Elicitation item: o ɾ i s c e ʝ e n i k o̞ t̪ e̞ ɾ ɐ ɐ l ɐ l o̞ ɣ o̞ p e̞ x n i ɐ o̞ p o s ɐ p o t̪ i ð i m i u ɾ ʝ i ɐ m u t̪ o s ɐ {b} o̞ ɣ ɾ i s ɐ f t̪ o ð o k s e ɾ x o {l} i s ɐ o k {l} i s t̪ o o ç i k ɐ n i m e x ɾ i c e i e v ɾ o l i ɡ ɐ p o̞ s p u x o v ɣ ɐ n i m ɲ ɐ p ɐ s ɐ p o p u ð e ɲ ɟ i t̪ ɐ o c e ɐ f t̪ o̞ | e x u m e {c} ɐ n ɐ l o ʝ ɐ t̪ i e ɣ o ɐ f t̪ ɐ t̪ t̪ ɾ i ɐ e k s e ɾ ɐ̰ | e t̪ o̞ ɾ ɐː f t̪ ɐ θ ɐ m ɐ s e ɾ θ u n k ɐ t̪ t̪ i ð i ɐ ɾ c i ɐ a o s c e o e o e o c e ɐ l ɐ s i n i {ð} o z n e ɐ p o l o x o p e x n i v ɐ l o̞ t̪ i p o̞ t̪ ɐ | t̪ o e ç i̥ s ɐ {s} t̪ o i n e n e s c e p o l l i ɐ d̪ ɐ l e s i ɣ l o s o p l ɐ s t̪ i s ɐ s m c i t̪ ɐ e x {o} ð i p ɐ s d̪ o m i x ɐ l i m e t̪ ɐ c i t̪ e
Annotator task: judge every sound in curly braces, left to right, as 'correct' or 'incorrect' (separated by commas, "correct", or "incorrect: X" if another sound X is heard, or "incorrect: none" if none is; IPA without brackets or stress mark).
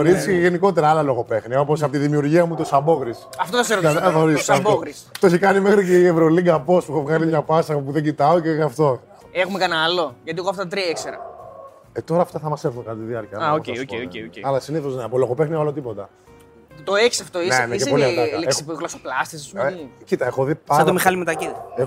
correct, incorrect: ɾ, incorrect: ɾ, incorrect: k, incorrect: θ, incorrect: f, correct